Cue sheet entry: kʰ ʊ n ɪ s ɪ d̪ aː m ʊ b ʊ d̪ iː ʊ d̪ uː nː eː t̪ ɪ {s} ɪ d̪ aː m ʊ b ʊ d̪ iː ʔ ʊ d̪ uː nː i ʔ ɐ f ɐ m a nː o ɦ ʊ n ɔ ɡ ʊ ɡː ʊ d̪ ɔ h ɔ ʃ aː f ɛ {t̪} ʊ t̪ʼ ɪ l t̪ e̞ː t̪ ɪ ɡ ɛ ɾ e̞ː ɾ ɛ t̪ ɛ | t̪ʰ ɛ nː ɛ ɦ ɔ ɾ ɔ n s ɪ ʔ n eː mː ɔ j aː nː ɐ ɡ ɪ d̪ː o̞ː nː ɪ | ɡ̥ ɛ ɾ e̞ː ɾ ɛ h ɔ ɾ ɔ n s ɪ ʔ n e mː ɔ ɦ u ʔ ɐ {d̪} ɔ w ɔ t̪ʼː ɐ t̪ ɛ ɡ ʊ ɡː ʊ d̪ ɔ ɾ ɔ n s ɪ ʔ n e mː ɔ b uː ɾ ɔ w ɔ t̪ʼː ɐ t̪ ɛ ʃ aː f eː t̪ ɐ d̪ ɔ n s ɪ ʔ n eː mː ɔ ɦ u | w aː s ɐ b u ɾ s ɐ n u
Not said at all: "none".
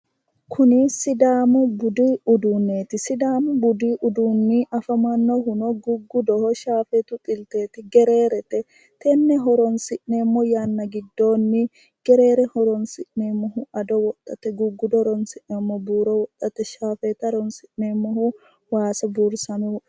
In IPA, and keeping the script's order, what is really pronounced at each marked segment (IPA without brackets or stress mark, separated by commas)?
s, t̪, d̪